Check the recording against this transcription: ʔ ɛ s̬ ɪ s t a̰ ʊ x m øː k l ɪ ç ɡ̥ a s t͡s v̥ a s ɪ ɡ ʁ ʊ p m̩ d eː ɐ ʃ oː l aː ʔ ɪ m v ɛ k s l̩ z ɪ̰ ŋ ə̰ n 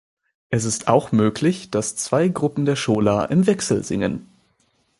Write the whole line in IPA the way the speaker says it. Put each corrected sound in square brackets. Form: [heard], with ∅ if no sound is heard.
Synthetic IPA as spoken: ʔ ɛ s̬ ɪ s t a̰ ʊ x m øː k l ɪ ç [d̥] a s t͡s v̥ a [∅] ɪ ɡ ʁ ʊ p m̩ d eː ɐ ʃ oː l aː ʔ ɪ m v ɛ k s l̩ z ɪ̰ ŋ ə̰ n